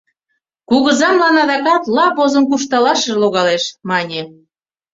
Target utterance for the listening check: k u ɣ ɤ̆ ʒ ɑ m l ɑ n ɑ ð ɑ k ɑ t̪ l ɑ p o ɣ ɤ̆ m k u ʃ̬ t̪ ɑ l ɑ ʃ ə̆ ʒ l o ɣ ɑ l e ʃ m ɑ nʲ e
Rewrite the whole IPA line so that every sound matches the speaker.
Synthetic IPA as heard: k u ɣ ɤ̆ z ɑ m l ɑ n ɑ ð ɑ k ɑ t̪ l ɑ p o z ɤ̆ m k u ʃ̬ t̪ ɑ l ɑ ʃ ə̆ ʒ l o ɣ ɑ l e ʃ m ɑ nʲ e